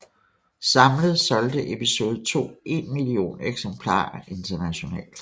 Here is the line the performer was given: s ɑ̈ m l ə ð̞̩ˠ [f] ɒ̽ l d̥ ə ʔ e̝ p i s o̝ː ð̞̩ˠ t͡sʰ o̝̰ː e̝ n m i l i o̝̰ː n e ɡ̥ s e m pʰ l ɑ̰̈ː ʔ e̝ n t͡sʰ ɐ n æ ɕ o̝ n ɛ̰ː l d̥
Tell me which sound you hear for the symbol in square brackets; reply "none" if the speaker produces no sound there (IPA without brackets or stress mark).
s